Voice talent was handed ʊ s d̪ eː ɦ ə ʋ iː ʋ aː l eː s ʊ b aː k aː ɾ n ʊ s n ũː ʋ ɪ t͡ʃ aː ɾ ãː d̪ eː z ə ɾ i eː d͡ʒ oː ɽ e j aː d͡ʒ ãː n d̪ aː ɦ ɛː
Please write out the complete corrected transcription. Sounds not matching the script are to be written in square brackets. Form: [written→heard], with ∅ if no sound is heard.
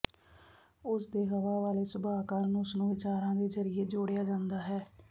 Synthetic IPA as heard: ʊ s d̪ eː ɦ ə ʋ [iː→aː] ʋ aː l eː s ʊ b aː k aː ɾ n ʊ s n ũː ʋ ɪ t͡ʃ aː ɾ ãː d̪ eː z ə ɾ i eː d͡ʒ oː ɽ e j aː d͡ʒ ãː n d̪ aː ɦ ɛː